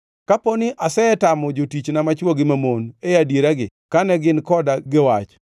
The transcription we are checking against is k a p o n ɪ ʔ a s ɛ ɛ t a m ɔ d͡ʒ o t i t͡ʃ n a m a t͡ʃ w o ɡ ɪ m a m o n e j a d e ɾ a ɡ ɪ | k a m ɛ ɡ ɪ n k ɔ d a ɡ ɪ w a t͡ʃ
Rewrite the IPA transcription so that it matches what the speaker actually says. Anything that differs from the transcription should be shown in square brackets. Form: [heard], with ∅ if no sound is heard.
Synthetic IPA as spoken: k a p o n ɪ ʔ a s ɛ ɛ t a m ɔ d͡ʒ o t i t͡ʃ n a m a t͡ʃ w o ɡ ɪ m a m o n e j a d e ɾ a ɡ ɪ | k a [n] ɛ ɡ ɪ n k ɔ d a ɡ ɪ w a t͡ʃ

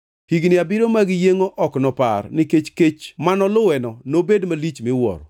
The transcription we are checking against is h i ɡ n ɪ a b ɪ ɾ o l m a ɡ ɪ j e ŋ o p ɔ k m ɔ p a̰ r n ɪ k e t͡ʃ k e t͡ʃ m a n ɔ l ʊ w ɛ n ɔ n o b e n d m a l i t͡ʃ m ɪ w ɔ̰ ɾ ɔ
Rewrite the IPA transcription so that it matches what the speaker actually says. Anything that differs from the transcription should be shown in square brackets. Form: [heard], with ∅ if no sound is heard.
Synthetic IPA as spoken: h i ɡ n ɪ a b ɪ ɾ o [∅] m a ɡ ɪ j e ŋ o [ʔ] ɔ k [n] ɔ p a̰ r n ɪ k e t͡ʃ k e t͡ʃ m a n ɔ l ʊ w ɛ n ɔ n o b e [∅] d m a l i t͡ʃ m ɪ w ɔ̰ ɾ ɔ

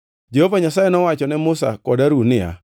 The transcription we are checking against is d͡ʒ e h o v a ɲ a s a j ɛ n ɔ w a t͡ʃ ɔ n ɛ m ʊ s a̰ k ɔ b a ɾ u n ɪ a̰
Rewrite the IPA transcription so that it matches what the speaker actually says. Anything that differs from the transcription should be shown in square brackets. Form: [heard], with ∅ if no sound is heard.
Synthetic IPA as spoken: d͡ʒ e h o v a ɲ a s a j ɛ n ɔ w a t͡ʃ ɔ n ɛ m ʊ s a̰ k ɔ [d] a ɾ u n ɪ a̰

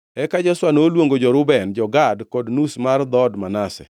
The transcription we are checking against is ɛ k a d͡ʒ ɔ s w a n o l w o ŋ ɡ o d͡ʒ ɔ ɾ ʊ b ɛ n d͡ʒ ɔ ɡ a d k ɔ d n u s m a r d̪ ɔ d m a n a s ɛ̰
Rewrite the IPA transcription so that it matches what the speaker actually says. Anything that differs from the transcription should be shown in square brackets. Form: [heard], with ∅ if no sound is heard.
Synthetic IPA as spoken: ɛ k a d͡ʒ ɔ s w a n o l w o ŋ ɡ o d͡ʒ ɔ ɾ ʊ b ɛ n d͡ʒ ɔ ɡ a d k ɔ d n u s m a r d̪ ɔ d m a n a s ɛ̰

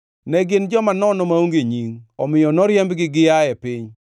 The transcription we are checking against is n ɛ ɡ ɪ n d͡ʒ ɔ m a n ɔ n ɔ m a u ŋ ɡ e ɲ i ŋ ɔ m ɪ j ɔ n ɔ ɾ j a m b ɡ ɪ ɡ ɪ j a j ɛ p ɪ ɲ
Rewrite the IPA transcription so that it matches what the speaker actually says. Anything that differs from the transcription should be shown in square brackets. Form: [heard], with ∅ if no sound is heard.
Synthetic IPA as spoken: n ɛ ɡ ɪ n d͡ʒ ɔ m a n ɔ n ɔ m a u ŋ ɡ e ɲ i ŋ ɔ m ɪ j ɔ n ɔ ɾ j [ɛ] m b ɡ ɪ ɡ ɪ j a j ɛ p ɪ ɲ

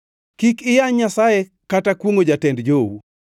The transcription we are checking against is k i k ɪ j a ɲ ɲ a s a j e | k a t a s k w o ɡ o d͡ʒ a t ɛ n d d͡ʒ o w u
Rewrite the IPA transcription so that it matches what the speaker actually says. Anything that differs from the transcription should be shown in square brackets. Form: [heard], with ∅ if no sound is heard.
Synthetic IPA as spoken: k i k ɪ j a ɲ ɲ a s a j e | k a t a [∅] k w o [ŋ] o d͡ʒ a t ɛ n d d͡ʒ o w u

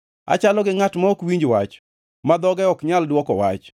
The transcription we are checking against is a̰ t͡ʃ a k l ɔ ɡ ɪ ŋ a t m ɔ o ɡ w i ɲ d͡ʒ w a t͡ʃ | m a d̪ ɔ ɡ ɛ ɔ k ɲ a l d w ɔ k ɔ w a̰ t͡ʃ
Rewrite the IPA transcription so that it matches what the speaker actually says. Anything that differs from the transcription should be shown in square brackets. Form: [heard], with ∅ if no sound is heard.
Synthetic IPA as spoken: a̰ t͡ʃ a [∅] l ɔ ɡ ɪ ŋ a t m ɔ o [k] w i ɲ d͡ʒ w a t͡ʃ | m a d̪ ɔ ɡ ɛ ɔ k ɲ a l d w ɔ k ɔ w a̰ t͡ʃ

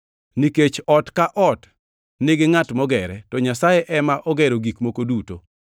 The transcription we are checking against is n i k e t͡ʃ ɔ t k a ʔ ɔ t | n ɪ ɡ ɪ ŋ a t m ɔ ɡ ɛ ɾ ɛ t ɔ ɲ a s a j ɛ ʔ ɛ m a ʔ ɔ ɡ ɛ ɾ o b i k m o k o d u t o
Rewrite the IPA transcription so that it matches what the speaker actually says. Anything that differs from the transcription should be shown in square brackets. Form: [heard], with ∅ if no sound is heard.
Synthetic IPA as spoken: n i k e t͡ʃ ɔ t k a ʔ ɔ t | n ɪ ɡ ɪ ŋ a t m ɔ ɡ ɛ ɾ ɛ t ɔ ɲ a s a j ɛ ʔ ɛ m a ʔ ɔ ɡ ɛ ɾ o [ɡ] i k m o k o d u t o

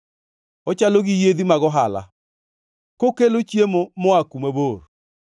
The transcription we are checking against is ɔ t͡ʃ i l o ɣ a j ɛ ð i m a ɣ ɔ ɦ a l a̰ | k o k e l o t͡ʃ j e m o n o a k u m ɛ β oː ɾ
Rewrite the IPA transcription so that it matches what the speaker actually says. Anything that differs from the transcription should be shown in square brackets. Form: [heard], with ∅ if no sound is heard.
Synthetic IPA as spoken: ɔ t͡ʃ [a] l o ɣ [i] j [e] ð i m a ɣ ɔ ɦ a l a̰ | k o k e l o t͡ʃ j e m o [m] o a k u m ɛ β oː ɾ

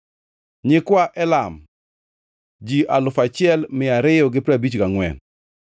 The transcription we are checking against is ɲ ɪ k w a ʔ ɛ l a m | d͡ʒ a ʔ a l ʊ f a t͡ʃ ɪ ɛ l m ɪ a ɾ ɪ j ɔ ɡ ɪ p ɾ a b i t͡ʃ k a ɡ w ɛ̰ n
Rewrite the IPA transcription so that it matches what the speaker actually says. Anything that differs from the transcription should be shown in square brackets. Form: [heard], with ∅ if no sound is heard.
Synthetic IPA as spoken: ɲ ɪ k w a ʔ ɛ l a m | d͡ʒ [i] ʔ a l ʊ f a t͡ʃ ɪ ɛ l m ɪ a ɾ ɪ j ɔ ɡ ɪ p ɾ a b i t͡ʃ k a [ŋ] w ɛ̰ n

